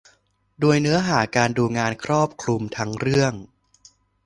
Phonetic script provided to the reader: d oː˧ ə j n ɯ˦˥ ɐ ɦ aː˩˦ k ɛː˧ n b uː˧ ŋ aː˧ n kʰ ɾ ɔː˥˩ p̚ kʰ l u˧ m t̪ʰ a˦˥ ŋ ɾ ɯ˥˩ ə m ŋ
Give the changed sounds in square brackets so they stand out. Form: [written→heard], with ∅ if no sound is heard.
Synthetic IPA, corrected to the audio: d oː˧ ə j n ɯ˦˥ ɐ ɦ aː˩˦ k [ɛː˧→aː˧] n [b→d] uː˧ ŋ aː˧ n kʰ ɾ ɔː˥˩ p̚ kʰ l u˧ m t̪ʰ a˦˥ ŋ ɾ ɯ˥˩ ə [m→∅] ŋ